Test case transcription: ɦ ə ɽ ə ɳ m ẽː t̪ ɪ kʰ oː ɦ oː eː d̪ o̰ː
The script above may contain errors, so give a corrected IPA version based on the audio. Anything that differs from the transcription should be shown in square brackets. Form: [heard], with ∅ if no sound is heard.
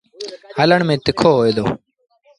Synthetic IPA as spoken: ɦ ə [l] ə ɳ m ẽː t̪ ɪ kʰ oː ɦ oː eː d̪ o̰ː

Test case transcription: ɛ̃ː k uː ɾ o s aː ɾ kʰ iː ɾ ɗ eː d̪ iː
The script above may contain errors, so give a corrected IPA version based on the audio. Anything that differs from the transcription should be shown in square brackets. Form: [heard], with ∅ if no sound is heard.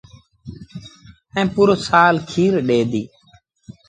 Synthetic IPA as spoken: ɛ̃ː [p] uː ɾ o s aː [l] kʰ iː ɾ ɗ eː d̪ iː

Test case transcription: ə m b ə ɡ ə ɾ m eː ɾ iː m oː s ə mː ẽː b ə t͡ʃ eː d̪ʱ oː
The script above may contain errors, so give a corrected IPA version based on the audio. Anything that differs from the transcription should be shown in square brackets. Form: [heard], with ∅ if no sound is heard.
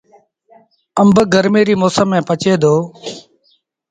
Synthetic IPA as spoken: ə m b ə ɡ ə ɾ m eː ɾ iː m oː s ə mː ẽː [p] ə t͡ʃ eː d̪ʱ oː

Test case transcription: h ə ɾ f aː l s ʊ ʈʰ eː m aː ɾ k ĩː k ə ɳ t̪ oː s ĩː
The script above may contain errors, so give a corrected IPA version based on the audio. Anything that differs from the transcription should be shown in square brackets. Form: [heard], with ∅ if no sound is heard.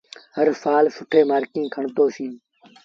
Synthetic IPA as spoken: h ə ɾ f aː l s ʊ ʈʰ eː m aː ɾ k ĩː [kʰ] ə ɳ t̪ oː s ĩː

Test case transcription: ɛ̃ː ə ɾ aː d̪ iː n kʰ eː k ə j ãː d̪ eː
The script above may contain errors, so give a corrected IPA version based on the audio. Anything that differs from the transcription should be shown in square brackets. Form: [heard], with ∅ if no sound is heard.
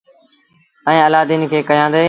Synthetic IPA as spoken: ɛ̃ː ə [l] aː d̪ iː n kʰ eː k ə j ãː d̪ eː

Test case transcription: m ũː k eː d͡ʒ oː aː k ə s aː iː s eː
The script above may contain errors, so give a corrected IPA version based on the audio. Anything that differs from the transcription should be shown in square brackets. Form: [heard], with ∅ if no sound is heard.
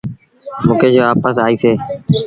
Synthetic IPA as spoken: m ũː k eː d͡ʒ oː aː [p] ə s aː iː s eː

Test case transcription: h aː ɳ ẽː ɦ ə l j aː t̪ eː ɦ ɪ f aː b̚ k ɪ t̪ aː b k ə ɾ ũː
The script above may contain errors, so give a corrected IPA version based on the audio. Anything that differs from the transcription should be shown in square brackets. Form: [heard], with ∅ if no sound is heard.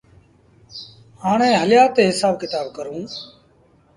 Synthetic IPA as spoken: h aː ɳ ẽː ɦ ə l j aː t̪ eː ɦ ɪ [s] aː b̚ k ɪ t̪ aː b k ə ɾ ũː

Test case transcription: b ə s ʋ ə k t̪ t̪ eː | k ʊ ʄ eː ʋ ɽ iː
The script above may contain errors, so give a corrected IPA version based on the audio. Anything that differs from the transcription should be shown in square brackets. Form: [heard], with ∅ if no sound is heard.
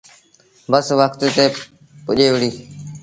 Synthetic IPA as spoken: b ə s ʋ ə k t̪ t̪ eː | [p] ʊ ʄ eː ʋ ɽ iː

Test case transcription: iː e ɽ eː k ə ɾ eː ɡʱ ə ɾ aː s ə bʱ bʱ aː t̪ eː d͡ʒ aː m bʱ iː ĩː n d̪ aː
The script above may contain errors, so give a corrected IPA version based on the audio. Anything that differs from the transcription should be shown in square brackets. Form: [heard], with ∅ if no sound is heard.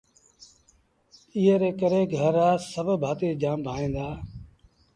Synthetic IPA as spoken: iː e [ɾ] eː k ə ɾ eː ɡʱ ə ɾ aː s ə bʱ bʱ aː t̪ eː d͡ʒ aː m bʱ [aː] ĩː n d̪ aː

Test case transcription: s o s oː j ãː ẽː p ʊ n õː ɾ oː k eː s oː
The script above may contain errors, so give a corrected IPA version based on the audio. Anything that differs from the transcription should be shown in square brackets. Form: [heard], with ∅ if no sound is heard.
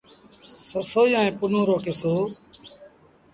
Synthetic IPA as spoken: s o s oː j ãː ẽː p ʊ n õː ɾ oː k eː s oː

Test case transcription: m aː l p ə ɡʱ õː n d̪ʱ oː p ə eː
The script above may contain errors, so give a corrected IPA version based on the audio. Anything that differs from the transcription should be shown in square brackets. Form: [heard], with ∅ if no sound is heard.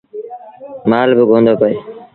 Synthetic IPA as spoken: m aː l [b] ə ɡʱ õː n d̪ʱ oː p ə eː

